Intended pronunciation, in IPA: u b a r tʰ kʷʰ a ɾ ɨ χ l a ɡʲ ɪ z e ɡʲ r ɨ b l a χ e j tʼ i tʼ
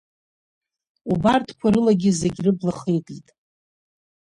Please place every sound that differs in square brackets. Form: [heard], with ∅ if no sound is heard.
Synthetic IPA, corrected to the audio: u b a r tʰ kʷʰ a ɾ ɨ [∅] l a ɡʲ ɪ z e ɡʲ r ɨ b l a χ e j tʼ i tʼ